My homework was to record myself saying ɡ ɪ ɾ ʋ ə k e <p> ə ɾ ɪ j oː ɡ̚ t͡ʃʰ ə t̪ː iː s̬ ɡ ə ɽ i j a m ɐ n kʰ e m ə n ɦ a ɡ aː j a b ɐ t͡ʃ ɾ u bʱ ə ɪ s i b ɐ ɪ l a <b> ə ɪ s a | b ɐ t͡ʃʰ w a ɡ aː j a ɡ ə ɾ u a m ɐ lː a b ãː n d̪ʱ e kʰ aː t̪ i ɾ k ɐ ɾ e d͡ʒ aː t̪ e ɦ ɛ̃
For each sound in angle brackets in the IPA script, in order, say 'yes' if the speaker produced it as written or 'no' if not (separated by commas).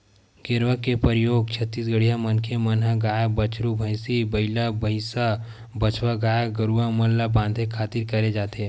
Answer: yes, yes